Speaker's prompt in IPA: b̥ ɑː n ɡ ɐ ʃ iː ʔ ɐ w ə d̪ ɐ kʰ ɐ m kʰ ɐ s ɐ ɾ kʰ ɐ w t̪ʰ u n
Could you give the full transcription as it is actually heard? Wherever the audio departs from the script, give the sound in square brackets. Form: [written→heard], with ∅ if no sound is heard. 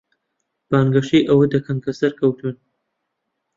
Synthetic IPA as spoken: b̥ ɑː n ɡ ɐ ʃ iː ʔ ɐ w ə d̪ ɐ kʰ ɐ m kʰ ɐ s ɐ ɾ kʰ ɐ w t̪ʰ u n